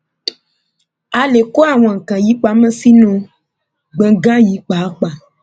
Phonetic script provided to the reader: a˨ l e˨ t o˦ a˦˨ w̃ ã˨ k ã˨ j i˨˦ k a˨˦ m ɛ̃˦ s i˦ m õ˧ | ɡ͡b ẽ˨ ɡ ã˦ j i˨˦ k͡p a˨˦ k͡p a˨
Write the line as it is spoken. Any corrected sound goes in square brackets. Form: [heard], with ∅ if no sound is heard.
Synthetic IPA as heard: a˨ l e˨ [k] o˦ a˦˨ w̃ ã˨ k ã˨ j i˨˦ [k͡p] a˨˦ m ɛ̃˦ s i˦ [n] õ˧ | ɡ͡b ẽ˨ ɡ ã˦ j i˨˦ k͡p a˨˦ k͡p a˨